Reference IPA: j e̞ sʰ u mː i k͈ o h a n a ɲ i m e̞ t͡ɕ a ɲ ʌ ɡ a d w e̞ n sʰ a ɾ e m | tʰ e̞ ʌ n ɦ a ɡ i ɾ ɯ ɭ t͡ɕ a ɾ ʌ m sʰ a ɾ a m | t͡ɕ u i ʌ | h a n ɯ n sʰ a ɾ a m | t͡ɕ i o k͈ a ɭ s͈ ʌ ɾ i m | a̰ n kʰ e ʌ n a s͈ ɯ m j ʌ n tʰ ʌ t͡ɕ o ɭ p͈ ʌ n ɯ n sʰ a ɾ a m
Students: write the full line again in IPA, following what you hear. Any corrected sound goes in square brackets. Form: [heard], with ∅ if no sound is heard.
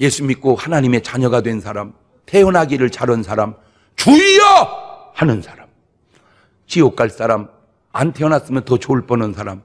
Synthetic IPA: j e̞ sʰ u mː i k͈ o h a n a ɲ i m e̞ t͡ɕ a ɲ ʌ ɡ a d w e̞ n sʰ a ɾ [a] m | tʰ e̞ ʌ n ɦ a ɡ i ɾ ɯ ɭ t͡ɕ a ɾ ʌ [n] sʰ a ɾ a m | t͡ɕ u i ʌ | h a n ɯ n sʰ a ɾ a m | t͡ɕ i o k͈ a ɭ s͈ [a] ɾ [a] m | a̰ n [tʰ] e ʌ n a s͈ ɯ m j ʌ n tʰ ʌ t͡ɕ o ɭ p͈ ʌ n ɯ n sʰ a ɾ a m